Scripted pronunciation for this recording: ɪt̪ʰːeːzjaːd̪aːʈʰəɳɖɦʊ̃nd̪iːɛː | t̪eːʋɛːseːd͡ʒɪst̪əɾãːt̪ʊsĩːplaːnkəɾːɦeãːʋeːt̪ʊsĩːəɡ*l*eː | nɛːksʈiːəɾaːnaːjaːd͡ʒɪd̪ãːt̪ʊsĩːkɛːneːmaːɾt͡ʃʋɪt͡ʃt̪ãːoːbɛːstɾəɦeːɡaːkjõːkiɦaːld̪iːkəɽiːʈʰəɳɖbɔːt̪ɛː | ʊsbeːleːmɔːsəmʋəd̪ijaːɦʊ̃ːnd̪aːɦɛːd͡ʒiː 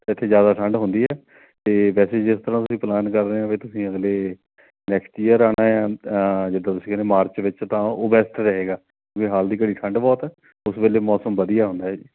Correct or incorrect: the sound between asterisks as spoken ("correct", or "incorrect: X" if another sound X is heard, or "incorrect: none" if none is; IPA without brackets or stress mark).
correct